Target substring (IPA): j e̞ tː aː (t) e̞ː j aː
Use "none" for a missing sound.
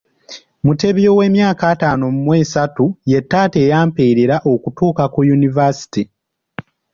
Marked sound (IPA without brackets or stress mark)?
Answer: t